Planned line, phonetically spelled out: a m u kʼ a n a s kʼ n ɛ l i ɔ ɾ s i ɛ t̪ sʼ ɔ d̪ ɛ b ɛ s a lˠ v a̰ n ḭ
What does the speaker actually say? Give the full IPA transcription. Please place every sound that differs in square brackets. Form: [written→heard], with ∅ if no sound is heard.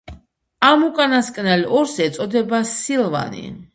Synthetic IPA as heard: a m u kʼ a n a s kʼ n ɛ l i ɔ ɾ s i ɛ t̪ sʼ ɔ d̪ ɛ b [ɛ→a] s [a→i] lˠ v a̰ n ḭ